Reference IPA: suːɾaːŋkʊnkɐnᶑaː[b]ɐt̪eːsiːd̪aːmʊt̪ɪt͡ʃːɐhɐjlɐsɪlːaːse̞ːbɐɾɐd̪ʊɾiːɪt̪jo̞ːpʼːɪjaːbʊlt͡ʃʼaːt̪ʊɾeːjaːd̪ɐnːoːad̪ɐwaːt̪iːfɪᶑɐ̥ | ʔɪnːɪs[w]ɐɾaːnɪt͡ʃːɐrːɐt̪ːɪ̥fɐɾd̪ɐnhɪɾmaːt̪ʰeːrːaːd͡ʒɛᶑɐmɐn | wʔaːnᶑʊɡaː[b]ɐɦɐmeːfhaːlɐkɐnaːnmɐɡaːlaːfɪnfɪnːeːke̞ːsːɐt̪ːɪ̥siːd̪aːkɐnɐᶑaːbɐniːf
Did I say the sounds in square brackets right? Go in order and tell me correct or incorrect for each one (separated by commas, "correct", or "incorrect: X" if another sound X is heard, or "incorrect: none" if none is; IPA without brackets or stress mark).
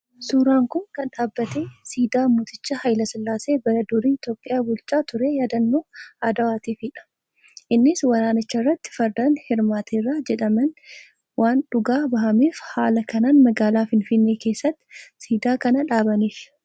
incorrect: bː, correct, correct